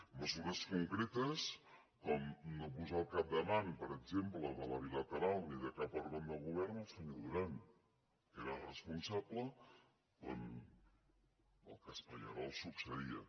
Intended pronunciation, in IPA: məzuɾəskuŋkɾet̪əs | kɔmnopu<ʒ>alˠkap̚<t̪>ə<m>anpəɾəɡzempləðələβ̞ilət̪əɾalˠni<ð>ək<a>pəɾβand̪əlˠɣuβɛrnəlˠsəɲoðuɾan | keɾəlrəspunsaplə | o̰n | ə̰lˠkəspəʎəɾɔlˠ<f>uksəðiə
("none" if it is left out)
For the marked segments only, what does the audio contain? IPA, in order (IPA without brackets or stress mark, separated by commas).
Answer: z, d̪, m, ð, a, s